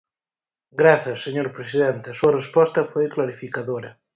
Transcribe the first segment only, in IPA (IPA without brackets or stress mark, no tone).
ɡ